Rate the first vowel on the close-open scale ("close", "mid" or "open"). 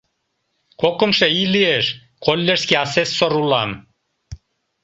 mid